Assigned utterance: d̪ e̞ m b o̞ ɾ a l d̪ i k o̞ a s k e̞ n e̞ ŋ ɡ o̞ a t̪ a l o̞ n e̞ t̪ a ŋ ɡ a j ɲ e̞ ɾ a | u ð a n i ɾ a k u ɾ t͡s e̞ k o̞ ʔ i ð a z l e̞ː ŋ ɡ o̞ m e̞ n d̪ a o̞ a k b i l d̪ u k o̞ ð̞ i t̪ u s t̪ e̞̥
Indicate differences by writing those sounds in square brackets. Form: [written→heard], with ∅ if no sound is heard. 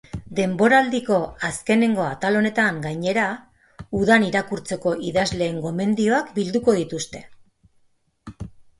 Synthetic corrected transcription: d̪ e̞ m b o̞ ɾ a l d̪ i k o̞ a s k e̞ n e̞ ŋ ɡ o̞ a t̪ a l o̞ n e̞ t̪ a ŋ ɡ a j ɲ e̞ ɾ a | u ð a n i ɾ a k u ɾ t͡s e̞ k o̞ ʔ i ð a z l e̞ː ŋ ɡ o̞ m e̞ n d̪ [a→i] o̞ a k b i l d̪ u k o̞ ð̞ i t̪ u s t̪ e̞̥

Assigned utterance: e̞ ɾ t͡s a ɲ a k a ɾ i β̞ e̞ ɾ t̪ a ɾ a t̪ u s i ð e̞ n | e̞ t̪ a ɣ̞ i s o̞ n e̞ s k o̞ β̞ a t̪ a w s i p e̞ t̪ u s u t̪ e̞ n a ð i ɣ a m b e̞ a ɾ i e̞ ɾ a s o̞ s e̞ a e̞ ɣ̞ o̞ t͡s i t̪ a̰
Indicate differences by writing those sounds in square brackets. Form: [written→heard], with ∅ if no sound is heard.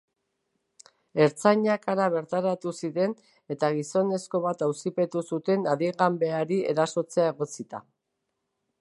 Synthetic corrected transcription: e̞ ɾ t͡s a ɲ a k a ɾ [i→a] β̞ e̞ ɾ t̪ a ɾ a t̪ u s i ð e̞ n | e̞ t̪ a ɣ̞ i s o̞ n e̞ s k o̞ β̞ a t̪ a w s i p e̞ t̪ u s u t̪ e̞ n a ð i ɣ a m b e̞ a ɾ i e̞ ɾ a s o̞ [s→t͡s] e̞ a e̞ ɣ̞ o̞ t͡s i t̪ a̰

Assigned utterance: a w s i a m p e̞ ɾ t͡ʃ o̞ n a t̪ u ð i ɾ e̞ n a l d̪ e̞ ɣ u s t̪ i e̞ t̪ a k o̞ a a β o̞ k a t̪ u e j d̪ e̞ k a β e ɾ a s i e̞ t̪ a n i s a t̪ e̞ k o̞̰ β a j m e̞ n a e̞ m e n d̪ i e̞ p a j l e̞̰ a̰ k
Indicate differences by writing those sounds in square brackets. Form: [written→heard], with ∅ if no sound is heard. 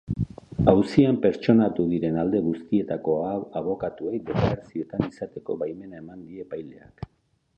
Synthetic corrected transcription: a w s i a m p e̞ ɾ t͡ʃ o̞ n a t̪ u ð i ɾ e̞ n a l d̪ e̞ ɣ u s t̪ i e̞ t̪ a k o̞ a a β o̞ k a t̪ u e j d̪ e̞ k a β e ɾ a s i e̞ t̪ a n i s a t̪ e̞ k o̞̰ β a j m e̞ n a e̞ m [e→a] n d̪ i e̞ p a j l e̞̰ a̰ k

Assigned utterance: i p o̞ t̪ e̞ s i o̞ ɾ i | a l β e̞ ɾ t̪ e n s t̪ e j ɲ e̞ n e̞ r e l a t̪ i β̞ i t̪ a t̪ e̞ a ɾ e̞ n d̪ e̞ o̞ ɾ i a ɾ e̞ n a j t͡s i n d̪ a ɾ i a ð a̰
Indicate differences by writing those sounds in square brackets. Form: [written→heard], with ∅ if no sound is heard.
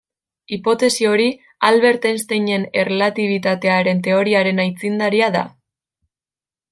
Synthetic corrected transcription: i p o̞ t̪ e̞ s i o̞ ɾ i | a l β e̞ ɾ t̪ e n s t̪ e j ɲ e̞ n e̞ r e l a t̪ i β̞ i t̪ a t̪ e̞ a ɾ e̞ n [d̪→t̪] e̞ o̞ ɾ i a ɾ e̞ n a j t͡s i n d̪ a ɾ i a ð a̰

